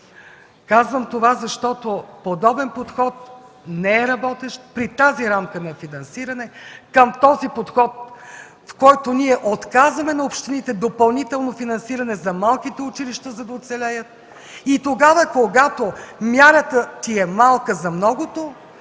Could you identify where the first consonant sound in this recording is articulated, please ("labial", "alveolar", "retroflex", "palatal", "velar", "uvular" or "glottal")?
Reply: velar